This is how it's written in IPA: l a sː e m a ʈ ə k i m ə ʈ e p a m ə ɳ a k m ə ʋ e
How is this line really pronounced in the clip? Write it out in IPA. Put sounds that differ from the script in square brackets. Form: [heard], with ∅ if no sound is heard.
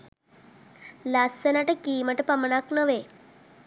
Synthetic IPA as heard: l a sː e [n] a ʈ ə k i m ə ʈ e p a m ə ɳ a k [n] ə ʋ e